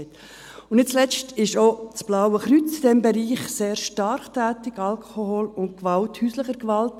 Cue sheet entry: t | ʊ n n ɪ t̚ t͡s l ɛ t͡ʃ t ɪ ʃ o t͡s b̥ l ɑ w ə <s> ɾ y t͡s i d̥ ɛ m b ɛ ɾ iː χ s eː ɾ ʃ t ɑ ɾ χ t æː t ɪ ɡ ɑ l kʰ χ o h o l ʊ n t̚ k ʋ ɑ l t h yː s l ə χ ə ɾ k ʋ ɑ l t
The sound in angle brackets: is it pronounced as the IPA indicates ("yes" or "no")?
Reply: no